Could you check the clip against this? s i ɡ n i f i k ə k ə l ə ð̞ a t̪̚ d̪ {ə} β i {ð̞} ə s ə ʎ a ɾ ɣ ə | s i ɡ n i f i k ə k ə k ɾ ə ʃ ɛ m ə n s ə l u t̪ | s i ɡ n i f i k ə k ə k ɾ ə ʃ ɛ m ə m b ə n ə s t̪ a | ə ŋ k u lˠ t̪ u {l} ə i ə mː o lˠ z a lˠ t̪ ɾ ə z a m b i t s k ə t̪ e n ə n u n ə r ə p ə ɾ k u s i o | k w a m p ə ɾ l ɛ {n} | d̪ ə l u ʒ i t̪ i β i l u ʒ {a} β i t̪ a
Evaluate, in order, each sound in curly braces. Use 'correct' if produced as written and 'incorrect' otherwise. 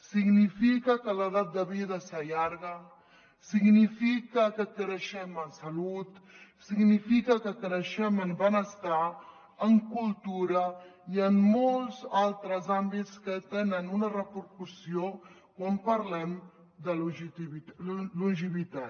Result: correct, correct, incorrect, incorrect, incorrect

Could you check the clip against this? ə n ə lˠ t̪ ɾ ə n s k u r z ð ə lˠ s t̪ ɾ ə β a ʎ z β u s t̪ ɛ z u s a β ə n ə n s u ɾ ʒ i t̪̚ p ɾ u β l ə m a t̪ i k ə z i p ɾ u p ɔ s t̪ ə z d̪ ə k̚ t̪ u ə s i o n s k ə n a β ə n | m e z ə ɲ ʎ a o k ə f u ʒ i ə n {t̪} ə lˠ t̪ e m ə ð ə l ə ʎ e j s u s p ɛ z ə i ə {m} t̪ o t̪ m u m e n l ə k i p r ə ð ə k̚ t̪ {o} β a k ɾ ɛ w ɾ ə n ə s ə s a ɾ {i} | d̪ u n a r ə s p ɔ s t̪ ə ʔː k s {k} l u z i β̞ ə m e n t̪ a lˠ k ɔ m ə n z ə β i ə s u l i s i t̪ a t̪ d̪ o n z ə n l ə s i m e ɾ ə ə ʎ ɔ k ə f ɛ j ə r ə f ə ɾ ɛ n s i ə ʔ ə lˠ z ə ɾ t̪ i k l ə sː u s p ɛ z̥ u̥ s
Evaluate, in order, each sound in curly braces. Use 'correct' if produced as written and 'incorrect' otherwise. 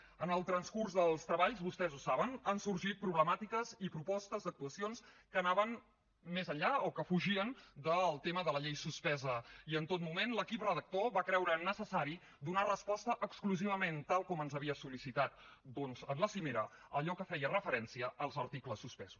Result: incorrect, incorrect, correct, correct, correct

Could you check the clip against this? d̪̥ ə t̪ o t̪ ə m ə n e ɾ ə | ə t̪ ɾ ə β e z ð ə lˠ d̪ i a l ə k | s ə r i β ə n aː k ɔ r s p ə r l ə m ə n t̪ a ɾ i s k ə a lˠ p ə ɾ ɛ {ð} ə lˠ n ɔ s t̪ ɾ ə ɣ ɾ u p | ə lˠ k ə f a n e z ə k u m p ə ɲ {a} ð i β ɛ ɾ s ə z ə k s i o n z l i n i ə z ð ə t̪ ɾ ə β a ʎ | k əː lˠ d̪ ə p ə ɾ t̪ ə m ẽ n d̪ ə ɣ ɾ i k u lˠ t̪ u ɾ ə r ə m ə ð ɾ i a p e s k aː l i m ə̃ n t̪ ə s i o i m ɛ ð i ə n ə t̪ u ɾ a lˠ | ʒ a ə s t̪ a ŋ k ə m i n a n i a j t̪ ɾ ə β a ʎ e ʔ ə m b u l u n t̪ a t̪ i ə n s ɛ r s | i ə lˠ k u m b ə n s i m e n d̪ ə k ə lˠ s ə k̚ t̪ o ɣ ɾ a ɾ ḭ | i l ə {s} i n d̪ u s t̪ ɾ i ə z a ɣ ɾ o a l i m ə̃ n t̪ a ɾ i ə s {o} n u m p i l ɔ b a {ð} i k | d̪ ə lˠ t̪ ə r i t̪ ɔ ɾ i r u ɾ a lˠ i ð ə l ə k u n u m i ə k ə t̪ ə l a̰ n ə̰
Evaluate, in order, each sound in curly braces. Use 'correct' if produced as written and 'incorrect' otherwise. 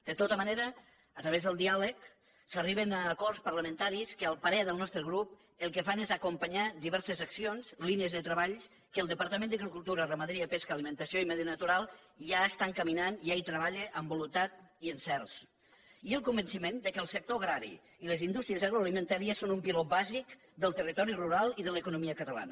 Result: correct, correct, incorrect, correct, incorrect

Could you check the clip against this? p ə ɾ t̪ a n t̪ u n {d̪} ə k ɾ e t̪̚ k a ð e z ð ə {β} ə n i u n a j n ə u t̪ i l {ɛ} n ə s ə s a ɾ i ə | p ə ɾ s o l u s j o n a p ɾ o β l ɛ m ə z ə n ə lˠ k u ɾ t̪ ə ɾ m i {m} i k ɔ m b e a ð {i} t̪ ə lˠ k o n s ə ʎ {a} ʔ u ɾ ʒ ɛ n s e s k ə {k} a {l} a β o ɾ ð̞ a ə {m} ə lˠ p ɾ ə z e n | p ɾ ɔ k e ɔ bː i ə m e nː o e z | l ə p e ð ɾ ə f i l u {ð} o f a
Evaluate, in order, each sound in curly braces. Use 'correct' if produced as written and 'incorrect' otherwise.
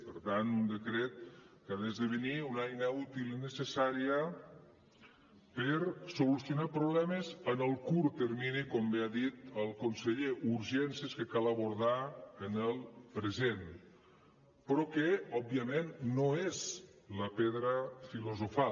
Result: correct, correct, incorrect, incorrect, correct, incorrect, correct, correct, incorrect, incorrect

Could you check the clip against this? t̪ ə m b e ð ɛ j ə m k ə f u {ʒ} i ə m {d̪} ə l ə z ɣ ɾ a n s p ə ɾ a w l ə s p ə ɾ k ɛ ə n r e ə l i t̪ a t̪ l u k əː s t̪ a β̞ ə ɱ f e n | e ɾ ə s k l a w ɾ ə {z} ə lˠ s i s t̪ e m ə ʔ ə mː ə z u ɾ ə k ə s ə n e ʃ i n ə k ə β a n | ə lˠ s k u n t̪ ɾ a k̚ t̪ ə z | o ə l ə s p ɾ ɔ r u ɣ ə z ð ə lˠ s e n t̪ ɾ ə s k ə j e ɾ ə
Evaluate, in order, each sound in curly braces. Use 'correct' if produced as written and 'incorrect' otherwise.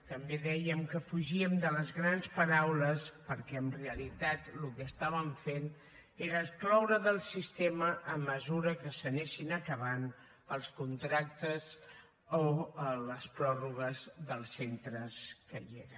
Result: correct, correct, incorrect

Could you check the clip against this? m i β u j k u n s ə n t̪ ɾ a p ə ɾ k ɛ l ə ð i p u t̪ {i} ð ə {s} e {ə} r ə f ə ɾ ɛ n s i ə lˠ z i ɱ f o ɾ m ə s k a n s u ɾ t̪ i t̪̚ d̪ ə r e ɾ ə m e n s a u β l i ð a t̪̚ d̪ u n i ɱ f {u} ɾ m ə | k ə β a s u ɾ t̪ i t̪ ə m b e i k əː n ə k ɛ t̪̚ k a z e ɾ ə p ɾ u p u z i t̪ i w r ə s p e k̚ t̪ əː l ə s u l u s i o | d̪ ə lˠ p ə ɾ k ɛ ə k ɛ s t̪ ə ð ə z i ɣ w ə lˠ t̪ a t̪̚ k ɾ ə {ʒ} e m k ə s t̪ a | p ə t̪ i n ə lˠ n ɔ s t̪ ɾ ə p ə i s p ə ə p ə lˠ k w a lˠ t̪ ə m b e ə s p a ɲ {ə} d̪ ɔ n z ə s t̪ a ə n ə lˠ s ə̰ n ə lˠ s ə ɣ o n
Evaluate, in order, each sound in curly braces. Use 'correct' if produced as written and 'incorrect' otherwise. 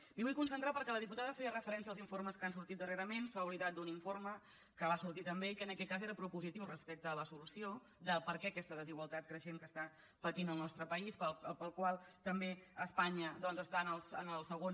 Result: incorrect, incorrect, correct, incorrect, incorrect, correct

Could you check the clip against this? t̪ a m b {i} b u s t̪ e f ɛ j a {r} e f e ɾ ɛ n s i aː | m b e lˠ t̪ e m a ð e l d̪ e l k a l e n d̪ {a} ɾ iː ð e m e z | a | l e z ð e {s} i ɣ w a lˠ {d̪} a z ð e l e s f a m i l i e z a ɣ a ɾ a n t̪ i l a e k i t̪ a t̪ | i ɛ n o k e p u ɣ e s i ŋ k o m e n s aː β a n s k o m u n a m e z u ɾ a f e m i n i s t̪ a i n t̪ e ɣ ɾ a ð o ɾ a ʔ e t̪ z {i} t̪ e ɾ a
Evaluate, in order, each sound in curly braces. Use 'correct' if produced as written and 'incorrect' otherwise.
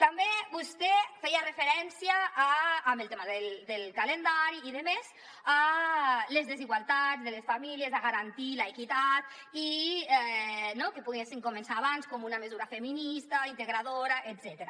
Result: incorrect, correct, correct, incorrect, incorrect, incorrect

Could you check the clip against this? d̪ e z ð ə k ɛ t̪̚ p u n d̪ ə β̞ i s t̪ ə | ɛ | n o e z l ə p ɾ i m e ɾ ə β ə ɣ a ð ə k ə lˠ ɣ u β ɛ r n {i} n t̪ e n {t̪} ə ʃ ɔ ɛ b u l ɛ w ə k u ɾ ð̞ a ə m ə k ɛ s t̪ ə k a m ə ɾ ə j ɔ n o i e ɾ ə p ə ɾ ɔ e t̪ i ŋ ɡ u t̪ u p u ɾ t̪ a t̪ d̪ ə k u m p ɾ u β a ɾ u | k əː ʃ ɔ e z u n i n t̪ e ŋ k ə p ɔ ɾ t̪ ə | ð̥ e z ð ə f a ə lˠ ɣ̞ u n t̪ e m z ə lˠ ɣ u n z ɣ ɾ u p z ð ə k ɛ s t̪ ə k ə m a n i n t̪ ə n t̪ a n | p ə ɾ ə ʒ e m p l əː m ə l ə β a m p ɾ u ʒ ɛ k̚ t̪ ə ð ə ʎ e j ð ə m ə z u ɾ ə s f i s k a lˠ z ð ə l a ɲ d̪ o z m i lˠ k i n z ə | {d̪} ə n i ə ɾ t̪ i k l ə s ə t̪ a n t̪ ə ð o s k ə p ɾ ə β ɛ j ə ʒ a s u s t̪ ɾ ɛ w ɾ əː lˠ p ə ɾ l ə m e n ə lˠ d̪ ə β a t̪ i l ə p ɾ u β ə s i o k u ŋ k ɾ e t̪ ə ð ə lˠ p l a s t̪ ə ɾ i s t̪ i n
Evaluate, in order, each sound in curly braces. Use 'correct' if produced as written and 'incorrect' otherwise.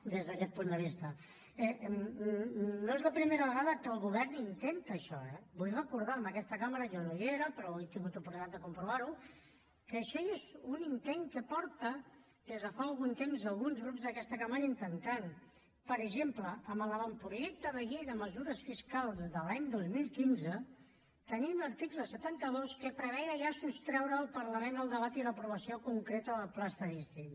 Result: correct, correct, incorrect

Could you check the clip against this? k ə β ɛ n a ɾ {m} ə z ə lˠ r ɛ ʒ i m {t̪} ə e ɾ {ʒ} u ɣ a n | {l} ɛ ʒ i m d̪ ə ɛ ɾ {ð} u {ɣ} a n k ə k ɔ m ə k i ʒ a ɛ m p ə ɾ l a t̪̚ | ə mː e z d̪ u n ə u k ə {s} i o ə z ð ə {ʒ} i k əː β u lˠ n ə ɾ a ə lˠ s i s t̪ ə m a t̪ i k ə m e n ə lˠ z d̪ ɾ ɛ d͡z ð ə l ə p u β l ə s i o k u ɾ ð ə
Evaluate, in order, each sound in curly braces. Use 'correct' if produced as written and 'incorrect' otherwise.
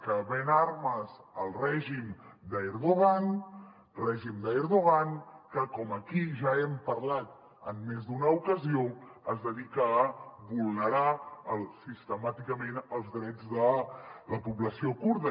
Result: correct, incorrect, incorrect, incorrect, correct, correct, incorrect, incorrect

